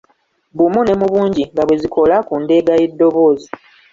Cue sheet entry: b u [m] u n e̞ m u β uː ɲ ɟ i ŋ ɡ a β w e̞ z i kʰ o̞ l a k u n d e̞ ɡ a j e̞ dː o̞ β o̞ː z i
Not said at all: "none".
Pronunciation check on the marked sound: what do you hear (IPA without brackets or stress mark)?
m